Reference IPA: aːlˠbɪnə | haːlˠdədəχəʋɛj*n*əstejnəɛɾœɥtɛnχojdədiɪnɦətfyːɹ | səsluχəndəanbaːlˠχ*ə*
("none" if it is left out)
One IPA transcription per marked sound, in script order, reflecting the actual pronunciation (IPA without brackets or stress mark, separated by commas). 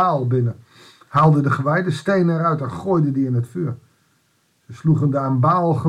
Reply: d, ə